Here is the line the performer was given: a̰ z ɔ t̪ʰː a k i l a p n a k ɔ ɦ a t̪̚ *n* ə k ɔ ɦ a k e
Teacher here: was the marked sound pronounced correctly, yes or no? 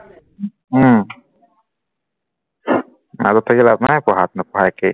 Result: yes